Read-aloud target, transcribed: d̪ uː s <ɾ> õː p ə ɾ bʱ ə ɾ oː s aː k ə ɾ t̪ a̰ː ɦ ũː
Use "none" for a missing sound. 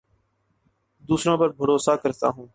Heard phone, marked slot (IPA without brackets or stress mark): ɾ